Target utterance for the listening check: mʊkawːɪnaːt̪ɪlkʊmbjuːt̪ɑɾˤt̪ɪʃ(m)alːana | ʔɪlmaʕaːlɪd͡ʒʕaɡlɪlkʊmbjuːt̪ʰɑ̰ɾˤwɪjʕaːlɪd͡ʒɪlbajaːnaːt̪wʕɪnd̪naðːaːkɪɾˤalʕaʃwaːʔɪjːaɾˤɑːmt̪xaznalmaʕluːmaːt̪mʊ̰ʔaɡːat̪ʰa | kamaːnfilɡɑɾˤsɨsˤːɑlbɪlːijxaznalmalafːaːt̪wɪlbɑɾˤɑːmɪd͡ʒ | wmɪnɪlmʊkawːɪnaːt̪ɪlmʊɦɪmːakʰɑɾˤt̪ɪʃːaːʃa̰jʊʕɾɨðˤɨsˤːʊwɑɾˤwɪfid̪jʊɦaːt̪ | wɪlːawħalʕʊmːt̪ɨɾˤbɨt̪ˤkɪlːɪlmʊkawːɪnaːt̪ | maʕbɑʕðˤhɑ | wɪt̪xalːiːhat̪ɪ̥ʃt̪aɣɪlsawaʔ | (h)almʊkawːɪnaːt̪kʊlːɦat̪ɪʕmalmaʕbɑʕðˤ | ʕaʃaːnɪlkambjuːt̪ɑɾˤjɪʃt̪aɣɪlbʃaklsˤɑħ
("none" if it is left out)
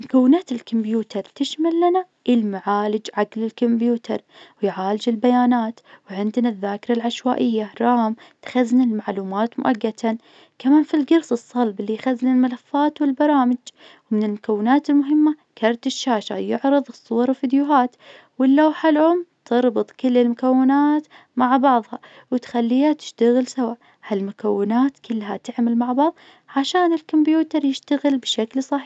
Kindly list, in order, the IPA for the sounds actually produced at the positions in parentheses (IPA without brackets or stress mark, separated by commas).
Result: m, h